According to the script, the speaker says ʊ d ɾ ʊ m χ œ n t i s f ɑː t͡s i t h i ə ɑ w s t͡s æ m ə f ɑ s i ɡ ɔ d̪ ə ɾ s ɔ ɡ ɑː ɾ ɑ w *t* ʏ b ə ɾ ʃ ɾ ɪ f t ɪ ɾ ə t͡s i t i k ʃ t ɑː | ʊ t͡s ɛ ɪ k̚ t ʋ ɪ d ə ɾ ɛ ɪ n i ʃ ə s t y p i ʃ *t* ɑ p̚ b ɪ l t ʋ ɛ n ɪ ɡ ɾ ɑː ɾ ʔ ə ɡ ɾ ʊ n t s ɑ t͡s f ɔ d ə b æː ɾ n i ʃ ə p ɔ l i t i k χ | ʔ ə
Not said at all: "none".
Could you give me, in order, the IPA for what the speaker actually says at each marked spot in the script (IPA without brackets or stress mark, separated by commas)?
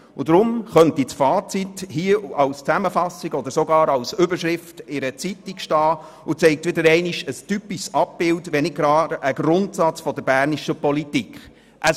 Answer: s, s